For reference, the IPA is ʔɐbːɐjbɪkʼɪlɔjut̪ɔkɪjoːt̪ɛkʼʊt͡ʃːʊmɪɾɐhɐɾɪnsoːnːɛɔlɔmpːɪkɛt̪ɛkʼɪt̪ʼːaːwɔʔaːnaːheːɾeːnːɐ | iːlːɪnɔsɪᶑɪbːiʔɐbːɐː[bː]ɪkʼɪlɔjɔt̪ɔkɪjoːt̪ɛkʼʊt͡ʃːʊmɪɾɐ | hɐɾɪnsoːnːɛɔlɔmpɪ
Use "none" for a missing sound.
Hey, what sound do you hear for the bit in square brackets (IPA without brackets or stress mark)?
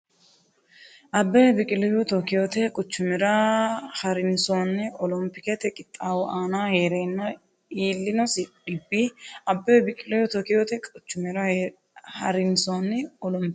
b